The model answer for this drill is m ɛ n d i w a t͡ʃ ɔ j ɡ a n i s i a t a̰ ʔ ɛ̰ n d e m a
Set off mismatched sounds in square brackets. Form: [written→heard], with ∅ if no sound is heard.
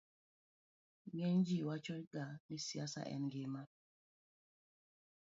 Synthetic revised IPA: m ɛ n [d→d͡ʒ] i w a t͡ʃ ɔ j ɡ a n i s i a [t→s] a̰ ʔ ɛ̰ n [d→ɡ] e m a